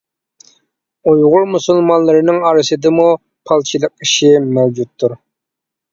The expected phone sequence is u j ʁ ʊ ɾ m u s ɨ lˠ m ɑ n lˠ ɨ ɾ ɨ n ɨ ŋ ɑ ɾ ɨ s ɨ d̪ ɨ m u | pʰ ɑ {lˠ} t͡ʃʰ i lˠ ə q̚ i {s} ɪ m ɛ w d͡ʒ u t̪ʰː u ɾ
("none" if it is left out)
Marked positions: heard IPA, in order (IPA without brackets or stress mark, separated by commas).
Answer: lˠ, ʃ